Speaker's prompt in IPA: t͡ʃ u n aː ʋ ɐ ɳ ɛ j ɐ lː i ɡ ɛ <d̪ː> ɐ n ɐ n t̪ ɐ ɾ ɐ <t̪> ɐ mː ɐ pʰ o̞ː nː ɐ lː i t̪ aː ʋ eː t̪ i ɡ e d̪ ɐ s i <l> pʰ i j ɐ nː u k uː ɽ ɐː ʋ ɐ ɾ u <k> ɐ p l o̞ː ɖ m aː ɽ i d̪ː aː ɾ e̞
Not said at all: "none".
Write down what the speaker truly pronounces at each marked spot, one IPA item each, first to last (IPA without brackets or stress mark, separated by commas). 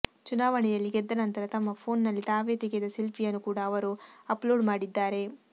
d̪ː, t̪, l, none